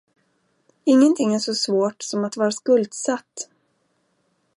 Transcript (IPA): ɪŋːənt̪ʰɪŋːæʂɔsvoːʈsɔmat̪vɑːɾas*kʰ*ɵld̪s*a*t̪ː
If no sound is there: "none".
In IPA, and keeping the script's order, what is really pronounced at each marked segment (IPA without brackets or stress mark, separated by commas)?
k, a